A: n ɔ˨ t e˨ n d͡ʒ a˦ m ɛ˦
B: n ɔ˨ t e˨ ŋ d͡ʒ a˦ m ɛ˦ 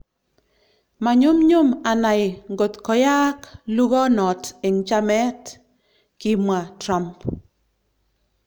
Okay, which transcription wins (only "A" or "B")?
B